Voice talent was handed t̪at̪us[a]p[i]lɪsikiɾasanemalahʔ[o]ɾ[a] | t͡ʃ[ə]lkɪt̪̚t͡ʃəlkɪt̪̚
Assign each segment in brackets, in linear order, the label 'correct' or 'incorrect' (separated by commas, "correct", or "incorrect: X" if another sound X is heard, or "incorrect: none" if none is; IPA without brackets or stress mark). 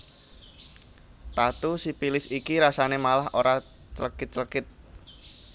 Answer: incorrect: i, correct, correct, correct, correct